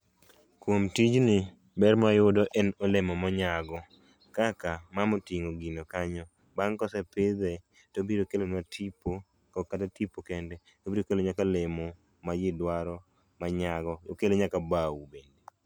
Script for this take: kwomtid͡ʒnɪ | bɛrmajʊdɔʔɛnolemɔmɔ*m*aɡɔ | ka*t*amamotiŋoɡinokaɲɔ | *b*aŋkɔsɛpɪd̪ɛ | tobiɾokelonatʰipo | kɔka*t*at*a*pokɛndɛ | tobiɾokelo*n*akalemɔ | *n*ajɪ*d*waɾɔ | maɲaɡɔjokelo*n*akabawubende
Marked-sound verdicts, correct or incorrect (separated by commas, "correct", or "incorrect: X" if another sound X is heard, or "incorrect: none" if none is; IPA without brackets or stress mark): incorrect: ɲ, incorrect: k, correct, correct, incorrect: i, incorrect: ɲ, incorrect: m, correct, incorrect: ɲ